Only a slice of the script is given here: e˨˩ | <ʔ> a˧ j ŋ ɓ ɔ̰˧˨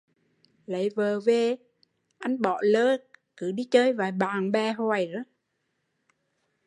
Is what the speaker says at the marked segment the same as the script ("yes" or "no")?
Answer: yes